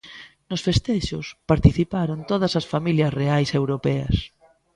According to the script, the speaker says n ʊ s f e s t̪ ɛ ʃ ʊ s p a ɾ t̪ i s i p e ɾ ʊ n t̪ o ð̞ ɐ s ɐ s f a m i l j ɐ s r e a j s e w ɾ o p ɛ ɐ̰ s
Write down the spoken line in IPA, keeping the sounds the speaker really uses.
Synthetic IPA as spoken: n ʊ s f e s t̪ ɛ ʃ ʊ s p a ɾ t̪ i θ i p a ɾ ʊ n t̪ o ð̞ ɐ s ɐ s f a m i l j ɐ s r e a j s e w ɾ o p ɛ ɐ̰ s